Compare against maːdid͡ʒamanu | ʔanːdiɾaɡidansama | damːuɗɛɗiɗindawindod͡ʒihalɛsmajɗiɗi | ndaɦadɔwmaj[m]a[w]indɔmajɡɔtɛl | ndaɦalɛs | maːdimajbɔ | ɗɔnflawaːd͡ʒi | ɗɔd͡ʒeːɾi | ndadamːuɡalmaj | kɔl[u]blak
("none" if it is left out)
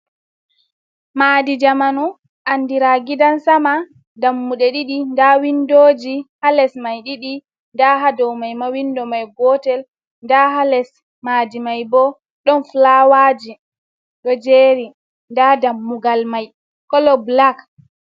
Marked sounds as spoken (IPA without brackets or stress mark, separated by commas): m, w, ɔ